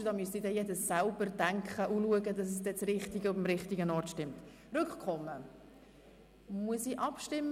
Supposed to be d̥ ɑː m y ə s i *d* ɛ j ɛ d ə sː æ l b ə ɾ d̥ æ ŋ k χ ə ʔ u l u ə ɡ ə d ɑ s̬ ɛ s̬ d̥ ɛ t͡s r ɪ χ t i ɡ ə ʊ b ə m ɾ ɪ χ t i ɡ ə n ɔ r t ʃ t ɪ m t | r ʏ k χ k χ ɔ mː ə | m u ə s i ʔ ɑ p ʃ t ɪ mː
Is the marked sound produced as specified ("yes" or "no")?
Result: yes